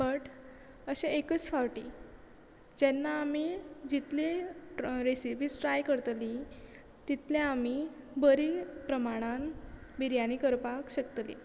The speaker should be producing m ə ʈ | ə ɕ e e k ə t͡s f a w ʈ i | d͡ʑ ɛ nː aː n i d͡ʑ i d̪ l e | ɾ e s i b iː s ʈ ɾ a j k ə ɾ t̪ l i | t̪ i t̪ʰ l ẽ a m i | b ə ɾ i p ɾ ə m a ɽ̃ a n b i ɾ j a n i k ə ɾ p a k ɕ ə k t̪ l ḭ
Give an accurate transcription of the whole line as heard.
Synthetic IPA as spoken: b ə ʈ | ə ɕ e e k ə t͡s f a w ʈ i | d͡ʑ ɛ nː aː m i d͡ʑ i t̪ l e | ɾ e s i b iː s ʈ ɾ a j k ə ɾ t̪ l i | t̪ i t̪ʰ l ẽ a m i | b ə ɾ i p ɾ ə m a ɽ̃ a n b i ɾ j a n i k ə ɾ p a k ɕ ə k t̪ l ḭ